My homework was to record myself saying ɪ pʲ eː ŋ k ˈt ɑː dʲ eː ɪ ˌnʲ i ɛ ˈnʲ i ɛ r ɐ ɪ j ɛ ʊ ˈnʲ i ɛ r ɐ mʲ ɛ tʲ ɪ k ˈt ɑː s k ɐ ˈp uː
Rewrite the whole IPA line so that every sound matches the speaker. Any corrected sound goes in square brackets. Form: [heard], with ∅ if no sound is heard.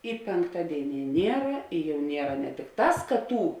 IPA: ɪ pʲ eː ŋ k ˈt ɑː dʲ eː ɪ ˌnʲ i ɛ ˈnʲ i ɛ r ɐ ɪ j ɛ ʊ ˈnʲ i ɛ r ɐ [nʲ] ɛ tʲ ɪ k ˈt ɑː s k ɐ [ˈt] uː

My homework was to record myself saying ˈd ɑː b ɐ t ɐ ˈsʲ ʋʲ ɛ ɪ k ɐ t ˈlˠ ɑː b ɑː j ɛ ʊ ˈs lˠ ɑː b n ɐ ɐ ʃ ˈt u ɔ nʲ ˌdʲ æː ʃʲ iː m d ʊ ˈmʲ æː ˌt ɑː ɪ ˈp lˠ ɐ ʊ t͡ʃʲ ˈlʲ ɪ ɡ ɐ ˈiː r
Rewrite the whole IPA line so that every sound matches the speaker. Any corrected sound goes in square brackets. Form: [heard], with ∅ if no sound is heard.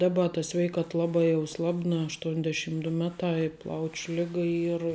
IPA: ˈd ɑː b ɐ t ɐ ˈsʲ ʋʲ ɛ ɪ k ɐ t ˈlˠ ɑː b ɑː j ɛ ʊ ˈs lˠ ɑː b n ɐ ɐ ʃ ˈt u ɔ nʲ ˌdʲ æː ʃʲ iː m d ʊ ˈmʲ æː ˌt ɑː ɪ ˈp lˠ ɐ ʊ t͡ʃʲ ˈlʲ ɪ ɡ ɐ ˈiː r

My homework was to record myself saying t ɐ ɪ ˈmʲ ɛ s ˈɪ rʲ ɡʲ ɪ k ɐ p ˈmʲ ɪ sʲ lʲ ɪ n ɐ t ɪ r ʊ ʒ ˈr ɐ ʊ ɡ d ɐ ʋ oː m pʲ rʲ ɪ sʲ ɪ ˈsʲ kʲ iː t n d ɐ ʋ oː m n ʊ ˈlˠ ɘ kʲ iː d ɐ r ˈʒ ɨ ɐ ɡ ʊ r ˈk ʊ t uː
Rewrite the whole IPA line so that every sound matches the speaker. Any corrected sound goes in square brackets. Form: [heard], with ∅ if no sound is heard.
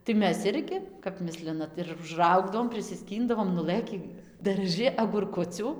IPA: t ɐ ɪ ˈmʲ ɛ s ˈɪ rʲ ɡʲ ɪ k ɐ p ˈmʲ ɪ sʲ lʲ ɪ n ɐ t ɪ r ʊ ʒ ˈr ɐ ʊ ɡ d ɐ ʋ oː m pʲ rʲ ɪ sʲ ɪ ˈsʲ kʲ iː [∅] n d ɐ ʋ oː m n ʊ ˈlˠ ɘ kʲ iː d ɐ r ˈʒ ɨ ɐ ɡ ʊ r ˈk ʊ [t͡sʲ] uː

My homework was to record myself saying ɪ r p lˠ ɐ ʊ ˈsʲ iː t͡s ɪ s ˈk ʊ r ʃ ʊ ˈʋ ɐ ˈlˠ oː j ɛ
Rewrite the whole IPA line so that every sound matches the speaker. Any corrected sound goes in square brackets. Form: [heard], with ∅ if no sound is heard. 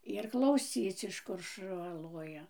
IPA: ɪ r [k] lˠ ɐ ʊ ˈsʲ iː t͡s ɪ [ʃ] ˈk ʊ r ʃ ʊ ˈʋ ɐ ˈlˠ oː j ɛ

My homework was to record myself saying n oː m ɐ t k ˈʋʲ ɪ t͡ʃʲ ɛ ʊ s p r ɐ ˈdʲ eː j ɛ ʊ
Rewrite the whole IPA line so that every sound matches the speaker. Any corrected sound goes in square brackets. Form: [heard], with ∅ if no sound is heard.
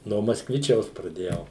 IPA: n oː m ɐ [s] k ˈʋʲ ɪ t͡ʃʲ ɛ ʊ s p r ɐ ˈdʲ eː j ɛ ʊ

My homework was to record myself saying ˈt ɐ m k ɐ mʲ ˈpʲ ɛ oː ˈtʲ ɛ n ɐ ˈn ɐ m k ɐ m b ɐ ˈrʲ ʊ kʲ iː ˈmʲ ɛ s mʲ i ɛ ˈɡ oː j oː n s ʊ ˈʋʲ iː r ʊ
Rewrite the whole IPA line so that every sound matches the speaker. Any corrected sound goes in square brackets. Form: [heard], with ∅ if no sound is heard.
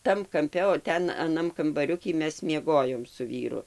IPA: ˈt ɐ m k ɐ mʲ ˈpʲ ɛ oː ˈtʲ ɛ n ɐ ˈn ɐ m k ɐ m b ɐ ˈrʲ ʊ kʲ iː ˈmʲ ɛ s mʲ i ɛ ˈɡ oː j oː [m] s ʊ ˈʋʲ iː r ʊ

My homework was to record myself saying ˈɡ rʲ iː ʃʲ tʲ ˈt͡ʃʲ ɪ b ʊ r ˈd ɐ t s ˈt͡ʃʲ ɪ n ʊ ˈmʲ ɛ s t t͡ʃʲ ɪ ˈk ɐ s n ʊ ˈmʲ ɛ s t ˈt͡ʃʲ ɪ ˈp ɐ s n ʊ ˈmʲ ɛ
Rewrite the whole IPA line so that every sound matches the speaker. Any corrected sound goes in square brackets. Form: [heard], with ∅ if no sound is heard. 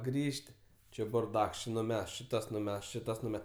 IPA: ˈɡ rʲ iː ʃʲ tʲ ˈt͡ʃʲ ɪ b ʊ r ˈd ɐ [k] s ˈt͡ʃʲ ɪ n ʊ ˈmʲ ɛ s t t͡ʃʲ ɪ [ˈt] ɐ s n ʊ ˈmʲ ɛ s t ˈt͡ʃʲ ɪ [ˈt] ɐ s n ʊ ˈmʲ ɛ

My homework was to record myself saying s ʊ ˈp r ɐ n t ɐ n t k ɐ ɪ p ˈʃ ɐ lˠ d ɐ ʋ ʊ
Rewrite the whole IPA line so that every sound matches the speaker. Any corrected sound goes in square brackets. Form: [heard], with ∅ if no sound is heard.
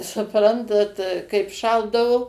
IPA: s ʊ ˈp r ɐ n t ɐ [∅] t k ɐ ɪ p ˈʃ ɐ lˠ d ɐ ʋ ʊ

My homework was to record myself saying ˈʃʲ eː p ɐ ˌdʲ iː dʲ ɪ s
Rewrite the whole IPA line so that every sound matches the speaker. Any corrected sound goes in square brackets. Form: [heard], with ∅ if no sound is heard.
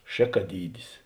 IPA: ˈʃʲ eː [k] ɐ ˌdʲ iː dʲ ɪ s

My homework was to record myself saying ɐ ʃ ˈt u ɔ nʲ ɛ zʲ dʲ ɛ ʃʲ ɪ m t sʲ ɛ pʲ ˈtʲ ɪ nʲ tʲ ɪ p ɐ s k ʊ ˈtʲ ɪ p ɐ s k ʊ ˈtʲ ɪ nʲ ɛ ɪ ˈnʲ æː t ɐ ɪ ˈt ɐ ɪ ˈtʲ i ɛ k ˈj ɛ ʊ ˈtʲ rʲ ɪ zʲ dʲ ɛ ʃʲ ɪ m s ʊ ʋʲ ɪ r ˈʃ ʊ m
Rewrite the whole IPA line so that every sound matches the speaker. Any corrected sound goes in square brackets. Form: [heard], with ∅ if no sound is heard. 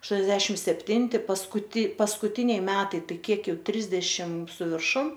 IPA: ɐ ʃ ˈt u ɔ nʲ ɛ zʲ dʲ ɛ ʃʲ ɪ m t sʲ ɛ pʲ ˈtʲ ɪ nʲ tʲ ɪ p ɐ s k ʊ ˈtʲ ɪ p ɐ s k ʊ ˈtʲ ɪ nʲ ɛ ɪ [ˈmʲ] æː t ɐ ɪ ˈt ɐ ɪ [ˈkʲ] i ɛ k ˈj ɛ ʊ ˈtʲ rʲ ɪ zʲ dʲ ɛ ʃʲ ɪ m s ʊ ʋʲ ɪ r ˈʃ ʊ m

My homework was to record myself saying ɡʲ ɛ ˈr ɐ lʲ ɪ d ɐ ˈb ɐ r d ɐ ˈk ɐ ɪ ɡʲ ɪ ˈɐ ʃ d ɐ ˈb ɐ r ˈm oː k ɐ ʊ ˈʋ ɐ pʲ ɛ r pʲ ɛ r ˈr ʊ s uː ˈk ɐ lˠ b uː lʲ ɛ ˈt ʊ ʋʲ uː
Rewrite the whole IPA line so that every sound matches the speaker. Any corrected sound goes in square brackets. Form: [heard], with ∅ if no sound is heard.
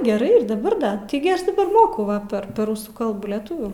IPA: ɡʲ ɛ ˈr ɐ [∅] ɪ d ɐ ˈb ɐ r d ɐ [ˈt] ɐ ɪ ɡʲ ɪ ˈɐ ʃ d ɐ ˈb ɐ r ˈm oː k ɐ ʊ ˈʋ ɐ pʲ ɛ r pʲ ɛ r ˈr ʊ s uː ˈk ɐ lˠ b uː lʲ ɛ ˈt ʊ ʋʲ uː

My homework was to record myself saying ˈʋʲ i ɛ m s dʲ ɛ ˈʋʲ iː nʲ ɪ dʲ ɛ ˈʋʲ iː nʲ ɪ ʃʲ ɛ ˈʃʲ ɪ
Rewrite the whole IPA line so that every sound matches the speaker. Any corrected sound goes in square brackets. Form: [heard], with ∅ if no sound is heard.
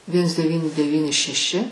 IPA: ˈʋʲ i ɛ [n] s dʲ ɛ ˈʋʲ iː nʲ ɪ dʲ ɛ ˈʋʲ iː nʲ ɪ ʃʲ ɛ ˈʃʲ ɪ

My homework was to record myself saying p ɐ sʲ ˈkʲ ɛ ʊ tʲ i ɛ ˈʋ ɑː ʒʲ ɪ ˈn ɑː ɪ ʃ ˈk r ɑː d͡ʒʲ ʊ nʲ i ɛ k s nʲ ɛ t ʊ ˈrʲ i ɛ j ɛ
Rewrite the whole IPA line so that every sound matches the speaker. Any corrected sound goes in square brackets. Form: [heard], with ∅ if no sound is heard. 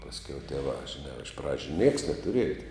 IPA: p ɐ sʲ ˈkʲ ɛ ʊ tʲ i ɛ ˈʋ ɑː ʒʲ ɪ ˈn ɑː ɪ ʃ [ˈp] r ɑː d͡ʒʲ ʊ nʲ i ɛ k s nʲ ɛ t ʊ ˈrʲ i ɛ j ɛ

